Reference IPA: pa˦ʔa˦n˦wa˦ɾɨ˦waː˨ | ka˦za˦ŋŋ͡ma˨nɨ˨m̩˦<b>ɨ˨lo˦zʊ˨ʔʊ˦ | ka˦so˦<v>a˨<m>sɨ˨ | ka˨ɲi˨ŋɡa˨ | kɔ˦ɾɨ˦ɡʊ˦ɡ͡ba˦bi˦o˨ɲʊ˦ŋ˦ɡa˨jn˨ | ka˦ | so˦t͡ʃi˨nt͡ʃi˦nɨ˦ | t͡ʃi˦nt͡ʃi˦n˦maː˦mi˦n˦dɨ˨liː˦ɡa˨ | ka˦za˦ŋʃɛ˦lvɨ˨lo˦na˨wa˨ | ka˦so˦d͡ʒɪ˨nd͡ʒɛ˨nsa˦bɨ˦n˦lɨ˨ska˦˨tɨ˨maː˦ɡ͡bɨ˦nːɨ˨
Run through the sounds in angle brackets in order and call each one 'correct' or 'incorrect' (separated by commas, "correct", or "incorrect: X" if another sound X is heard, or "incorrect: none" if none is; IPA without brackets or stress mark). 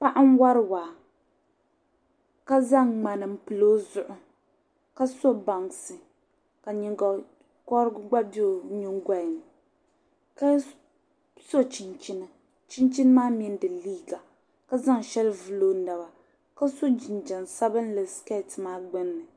incorrect: p, incorrect: b, incorrect: ŋ